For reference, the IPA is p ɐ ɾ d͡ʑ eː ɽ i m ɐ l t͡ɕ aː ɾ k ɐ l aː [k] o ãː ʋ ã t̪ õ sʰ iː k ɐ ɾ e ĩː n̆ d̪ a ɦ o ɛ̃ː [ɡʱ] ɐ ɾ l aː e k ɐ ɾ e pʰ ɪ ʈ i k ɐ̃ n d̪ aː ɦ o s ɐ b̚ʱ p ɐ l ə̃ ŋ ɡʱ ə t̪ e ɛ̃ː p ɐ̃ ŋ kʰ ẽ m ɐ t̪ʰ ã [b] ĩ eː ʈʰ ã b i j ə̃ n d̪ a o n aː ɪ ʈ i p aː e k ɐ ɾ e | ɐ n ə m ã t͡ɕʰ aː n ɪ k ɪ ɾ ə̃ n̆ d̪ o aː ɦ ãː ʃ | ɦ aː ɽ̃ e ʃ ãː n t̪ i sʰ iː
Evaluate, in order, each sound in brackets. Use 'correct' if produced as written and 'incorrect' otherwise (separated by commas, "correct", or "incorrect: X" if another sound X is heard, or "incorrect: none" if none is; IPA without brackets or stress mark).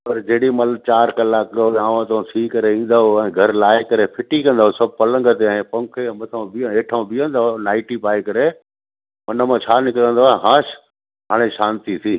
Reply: correct, correct, correct